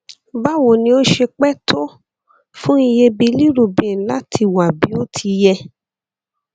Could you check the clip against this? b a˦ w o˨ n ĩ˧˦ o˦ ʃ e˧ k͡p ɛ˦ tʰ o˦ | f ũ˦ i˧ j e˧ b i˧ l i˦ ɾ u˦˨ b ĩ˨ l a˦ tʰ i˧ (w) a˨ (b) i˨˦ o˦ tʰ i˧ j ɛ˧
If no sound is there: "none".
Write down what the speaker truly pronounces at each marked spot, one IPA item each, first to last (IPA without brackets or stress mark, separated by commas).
w, b